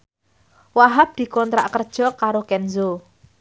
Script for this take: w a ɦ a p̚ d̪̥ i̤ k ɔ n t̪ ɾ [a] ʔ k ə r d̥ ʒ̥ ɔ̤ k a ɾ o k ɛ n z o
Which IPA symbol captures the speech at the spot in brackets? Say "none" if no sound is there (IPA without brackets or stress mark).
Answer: a